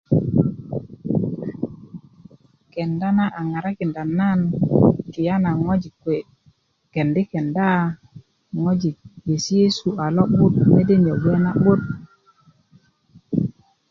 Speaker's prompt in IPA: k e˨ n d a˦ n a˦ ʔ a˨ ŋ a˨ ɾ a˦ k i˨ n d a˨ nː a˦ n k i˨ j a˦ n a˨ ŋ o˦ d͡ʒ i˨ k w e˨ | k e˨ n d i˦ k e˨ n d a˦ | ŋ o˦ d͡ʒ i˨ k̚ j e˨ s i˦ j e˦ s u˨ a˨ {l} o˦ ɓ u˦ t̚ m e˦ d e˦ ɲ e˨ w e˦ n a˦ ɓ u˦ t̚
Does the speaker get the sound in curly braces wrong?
no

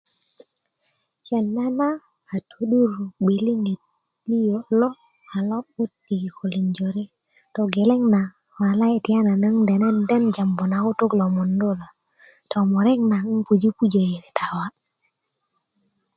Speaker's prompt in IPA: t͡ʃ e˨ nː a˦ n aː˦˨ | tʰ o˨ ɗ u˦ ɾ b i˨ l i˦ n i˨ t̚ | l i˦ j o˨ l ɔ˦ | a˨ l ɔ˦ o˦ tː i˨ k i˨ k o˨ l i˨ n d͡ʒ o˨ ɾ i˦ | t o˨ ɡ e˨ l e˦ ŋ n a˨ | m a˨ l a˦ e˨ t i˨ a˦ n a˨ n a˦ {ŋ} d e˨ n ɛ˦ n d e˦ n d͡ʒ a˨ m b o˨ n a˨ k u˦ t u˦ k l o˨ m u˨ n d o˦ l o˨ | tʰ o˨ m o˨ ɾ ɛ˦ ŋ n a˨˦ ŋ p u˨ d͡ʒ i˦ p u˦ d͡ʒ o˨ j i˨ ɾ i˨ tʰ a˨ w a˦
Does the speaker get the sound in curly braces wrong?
no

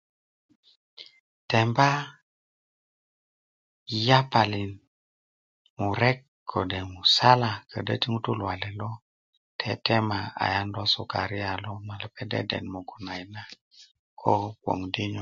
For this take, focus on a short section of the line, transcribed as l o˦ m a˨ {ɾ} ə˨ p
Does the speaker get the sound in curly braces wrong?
yes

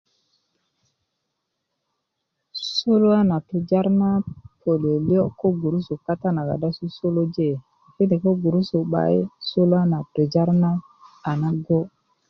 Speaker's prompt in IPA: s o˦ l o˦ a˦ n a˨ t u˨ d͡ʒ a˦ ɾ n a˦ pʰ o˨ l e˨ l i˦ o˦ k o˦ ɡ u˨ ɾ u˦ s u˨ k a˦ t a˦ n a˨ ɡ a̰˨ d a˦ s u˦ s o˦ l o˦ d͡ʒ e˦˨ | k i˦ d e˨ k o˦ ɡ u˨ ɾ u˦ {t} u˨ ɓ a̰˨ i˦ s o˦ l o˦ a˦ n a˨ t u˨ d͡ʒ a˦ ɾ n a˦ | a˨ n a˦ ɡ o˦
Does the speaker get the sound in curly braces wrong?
yes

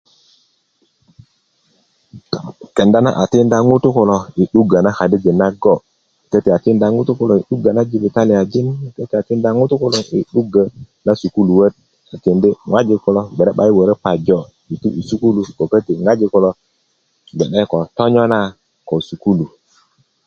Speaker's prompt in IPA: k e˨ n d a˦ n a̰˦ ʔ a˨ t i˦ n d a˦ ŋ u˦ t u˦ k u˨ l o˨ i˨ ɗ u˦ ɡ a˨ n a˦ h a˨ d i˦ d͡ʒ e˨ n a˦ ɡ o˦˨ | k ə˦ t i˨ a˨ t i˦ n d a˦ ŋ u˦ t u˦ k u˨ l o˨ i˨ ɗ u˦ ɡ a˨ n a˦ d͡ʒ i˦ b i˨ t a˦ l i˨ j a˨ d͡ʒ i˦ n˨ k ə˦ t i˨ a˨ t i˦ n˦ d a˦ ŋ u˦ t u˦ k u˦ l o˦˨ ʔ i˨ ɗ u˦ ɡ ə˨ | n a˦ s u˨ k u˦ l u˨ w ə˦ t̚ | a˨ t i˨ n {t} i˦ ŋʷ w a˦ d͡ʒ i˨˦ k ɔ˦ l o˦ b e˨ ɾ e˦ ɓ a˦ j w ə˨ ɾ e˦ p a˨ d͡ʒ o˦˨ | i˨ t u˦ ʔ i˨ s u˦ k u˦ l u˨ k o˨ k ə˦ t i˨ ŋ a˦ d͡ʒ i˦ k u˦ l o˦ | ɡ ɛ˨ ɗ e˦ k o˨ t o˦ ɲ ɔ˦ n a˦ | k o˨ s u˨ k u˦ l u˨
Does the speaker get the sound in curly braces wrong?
yes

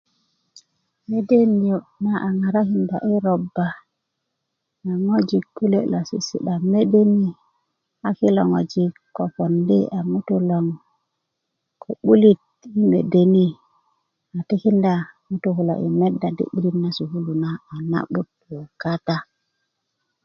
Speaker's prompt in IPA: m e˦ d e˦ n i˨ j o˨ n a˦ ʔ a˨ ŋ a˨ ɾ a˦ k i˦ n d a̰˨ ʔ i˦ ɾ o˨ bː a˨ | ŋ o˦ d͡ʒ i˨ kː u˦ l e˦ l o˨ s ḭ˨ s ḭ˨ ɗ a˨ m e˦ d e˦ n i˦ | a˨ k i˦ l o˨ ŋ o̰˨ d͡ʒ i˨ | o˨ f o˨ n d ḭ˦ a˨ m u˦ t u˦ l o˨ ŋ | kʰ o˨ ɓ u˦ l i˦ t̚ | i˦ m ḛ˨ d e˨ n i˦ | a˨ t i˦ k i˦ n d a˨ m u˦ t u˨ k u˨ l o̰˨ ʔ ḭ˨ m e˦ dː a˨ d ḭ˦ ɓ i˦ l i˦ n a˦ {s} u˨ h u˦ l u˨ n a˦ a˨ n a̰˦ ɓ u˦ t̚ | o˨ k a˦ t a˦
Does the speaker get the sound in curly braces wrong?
no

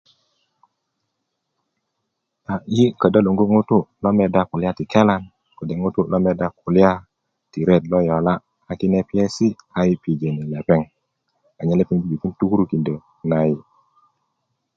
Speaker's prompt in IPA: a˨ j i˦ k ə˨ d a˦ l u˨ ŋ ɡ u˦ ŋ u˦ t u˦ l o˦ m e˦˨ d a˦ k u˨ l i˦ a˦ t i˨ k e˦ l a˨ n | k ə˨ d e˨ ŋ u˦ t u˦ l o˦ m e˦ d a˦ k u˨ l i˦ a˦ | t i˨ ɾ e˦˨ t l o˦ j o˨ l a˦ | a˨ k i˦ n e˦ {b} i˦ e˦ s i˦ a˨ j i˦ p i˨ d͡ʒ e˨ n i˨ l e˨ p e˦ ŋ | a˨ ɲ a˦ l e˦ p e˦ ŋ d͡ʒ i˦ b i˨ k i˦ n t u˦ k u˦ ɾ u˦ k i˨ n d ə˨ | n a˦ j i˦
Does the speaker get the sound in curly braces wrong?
yes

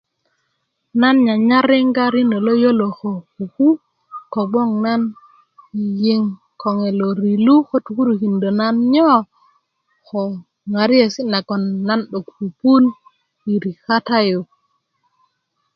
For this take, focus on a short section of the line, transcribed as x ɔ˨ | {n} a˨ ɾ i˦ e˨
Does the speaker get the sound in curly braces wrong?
yes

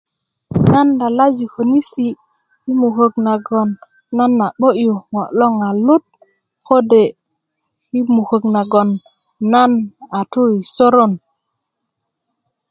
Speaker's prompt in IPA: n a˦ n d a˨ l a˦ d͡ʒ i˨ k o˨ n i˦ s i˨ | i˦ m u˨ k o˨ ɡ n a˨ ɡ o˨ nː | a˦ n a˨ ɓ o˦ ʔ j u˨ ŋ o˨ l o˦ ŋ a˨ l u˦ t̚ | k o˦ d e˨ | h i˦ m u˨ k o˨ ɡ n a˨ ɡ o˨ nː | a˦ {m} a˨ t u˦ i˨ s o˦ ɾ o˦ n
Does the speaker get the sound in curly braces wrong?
yes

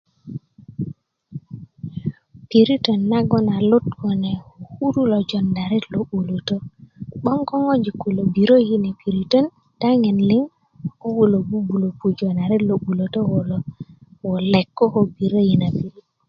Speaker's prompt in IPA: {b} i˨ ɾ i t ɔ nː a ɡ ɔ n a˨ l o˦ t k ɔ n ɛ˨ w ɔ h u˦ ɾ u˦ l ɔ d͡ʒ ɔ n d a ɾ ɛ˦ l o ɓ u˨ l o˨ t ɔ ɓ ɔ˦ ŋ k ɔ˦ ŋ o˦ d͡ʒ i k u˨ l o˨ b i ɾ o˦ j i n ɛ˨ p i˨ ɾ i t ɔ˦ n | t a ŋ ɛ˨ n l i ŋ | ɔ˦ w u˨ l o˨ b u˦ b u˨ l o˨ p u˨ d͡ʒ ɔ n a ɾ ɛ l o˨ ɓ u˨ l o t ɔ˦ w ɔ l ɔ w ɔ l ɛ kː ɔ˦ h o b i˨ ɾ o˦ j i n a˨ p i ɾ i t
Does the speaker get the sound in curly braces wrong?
yes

